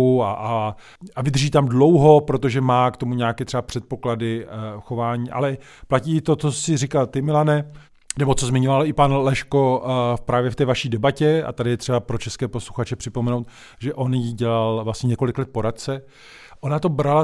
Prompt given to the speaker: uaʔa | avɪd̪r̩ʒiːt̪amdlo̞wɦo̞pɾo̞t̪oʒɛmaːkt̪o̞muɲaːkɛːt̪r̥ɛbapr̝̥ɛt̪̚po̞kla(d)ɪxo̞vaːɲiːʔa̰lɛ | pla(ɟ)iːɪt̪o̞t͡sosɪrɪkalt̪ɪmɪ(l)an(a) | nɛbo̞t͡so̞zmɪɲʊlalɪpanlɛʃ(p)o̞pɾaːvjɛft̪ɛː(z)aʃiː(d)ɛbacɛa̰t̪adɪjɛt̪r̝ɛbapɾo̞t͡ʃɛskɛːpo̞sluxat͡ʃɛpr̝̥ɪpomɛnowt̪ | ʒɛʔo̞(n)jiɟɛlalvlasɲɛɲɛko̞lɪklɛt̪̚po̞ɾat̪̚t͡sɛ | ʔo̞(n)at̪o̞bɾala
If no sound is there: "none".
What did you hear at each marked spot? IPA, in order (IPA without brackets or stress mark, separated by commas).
d, c, l, ɛ, k, v, d, n, n